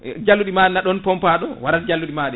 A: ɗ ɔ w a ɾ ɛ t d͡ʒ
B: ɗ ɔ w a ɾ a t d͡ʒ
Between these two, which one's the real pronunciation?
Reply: B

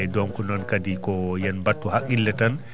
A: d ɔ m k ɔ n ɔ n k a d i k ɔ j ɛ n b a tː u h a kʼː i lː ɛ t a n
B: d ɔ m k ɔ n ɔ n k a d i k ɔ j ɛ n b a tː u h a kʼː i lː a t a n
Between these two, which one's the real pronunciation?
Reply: A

